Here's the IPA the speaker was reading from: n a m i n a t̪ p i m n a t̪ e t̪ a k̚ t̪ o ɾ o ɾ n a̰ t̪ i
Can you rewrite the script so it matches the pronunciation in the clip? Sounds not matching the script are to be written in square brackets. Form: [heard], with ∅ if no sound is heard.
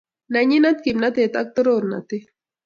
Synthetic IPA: n a [ɲ] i n a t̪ [k] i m n a t̪ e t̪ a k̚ t̪ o ɾ o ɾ n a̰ t̪ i